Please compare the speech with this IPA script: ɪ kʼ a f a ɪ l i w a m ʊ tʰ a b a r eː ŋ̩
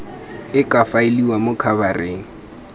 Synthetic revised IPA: ɪ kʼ a f a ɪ l i w a m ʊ kʰ a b a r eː ŋ̩